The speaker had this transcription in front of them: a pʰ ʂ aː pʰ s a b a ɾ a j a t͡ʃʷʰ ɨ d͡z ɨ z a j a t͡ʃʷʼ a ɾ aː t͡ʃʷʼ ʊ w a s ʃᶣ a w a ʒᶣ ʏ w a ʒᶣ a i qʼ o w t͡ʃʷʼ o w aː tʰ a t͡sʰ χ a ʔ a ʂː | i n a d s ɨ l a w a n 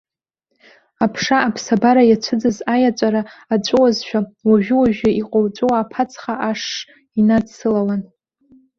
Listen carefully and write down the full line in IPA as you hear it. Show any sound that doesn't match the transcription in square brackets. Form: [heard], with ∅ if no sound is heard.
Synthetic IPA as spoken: a pʰ ʂ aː pʰ s a b a ɾ a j a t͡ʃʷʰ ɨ d͡z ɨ z a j a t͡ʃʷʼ a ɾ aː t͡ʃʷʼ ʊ w a [z] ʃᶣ a w a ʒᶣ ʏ w a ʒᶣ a i qʼ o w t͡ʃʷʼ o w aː [pʰ] a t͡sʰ χ a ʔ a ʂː | i n a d s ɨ l a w a n